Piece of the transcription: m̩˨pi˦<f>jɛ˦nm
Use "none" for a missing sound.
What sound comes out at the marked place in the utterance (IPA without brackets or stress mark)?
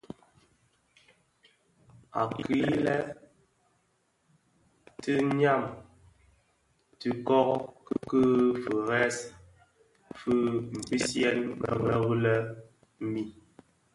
s